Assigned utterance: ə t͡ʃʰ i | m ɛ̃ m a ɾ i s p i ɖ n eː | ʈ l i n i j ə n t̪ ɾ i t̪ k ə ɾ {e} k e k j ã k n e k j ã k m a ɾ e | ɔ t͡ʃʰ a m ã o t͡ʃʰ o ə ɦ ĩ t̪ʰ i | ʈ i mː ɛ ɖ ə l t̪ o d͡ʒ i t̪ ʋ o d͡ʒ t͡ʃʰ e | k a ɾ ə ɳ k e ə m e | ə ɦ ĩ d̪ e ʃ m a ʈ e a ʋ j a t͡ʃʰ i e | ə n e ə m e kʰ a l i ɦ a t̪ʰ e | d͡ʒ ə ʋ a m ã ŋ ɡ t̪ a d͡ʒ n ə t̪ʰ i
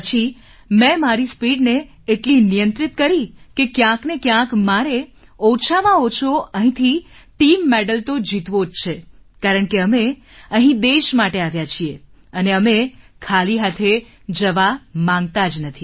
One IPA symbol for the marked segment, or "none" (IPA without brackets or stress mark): i